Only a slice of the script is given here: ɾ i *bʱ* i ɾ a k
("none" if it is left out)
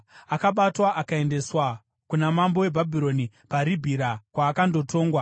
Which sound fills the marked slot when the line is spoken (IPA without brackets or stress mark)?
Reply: bʱ